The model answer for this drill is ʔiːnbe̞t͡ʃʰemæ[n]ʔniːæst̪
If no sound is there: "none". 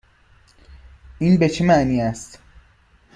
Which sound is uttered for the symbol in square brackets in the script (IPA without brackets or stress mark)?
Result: none